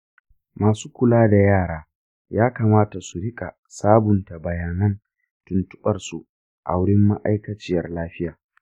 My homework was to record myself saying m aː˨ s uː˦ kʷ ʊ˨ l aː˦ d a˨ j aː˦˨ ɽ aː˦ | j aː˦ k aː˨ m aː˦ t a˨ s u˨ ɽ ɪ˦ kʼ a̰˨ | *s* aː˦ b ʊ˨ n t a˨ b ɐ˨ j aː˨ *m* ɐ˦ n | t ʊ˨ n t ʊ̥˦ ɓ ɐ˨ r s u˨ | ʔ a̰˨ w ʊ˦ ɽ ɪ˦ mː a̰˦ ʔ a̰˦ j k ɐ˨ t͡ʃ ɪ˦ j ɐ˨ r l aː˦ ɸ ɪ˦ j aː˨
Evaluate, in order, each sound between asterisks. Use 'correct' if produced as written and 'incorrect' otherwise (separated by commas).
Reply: correct, incorrect